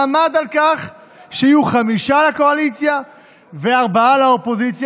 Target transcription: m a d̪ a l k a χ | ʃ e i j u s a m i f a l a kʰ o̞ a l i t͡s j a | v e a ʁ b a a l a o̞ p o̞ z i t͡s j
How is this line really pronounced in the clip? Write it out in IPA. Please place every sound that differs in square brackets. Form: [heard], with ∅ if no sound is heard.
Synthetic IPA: m a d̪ a l k a χ | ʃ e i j u [χ] a m i [ʃ] a l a [k] o̞ a l i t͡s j a | v e a ʁ b a a l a o̞ p o̞ z i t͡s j